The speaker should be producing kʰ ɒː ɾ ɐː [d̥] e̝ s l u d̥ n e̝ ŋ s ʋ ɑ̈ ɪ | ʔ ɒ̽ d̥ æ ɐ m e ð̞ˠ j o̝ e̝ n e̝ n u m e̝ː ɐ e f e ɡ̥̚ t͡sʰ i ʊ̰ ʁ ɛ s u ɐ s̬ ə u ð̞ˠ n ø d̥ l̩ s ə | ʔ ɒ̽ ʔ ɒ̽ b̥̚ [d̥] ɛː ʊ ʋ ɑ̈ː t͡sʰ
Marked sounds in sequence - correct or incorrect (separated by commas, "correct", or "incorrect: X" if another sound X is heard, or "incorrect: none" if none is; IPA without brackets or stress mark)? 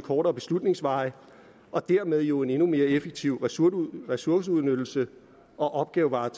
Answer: incorrect: b̥, incorrect: ɡ̥